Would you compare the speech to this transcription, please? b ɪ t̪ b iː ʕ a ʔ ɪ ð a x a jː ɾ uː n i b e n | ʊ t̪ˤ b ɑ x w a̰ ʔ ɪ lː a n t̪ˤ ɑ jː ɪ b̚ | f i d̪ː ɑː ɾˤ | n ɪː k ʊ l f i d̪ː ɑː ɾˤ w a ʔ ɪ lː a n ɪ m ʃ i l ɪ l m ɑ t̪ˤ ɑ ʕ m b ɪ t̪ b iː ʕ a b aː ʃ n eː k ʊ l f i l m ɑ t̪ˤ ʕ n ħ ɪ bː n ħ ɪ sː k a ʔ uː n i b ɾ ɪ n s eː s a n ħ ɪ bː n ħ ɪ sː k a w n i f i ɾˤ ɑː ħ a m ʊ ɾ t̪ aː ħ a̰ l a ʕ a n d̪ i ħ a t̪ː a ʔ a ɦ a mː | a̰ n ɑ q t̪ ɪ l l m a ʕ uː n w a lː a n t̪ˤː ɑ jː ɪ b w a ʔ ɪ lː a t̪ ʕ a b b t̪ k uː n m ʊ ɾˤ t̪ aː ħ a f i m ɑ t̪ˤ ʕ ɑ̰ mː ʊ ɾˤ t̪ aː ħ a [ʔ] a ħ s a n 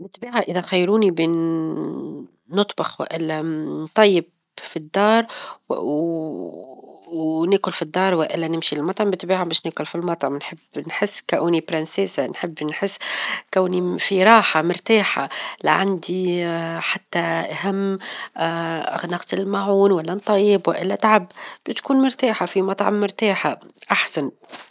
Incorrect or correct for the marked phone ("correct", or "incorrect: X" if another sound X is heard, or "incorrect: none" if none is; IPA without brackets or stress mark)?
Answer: correct